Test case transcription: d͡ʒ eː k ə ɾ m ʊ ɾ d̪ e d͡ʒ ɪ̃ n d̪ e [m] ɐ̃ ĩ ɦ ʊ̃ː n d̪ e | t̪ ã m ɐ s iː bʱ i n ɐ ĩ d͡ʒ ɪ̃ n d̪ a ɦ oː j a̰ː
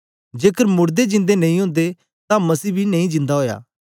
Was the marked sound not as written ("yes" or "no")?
yes